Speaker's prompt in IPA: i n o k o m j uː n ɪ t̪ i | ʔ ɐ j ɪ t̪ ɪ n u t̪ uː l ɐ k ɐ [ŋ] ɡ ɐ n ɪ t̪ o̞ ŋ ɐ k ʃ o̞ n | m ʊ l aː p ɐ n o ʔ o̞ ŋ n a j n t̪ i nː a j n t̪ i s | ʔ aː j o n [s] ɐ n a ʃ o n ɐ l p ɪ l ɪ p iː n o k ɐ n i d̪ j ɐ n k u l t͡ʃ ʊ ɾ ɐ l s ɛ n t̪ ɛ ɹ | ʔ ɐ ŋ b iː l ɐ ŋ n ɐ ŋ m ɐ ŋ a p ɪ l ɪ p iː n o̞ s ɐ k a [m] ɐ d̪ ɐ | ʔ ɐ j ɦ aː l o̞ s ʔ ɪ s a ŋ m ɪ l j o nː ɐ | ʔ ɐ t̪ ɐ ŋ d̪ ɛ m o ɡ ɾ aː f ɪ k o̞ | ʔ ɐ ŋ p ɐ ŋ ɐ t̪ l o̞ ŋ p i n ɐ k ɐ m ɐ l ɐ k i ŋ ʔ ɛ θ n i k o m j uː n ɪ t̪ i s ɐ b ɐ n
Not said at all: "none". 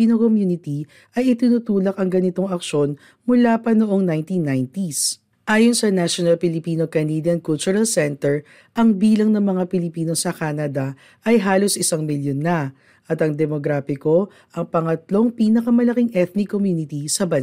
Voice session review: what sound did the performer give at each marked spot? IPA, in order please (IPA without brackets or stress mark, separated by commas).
ŋ, s, n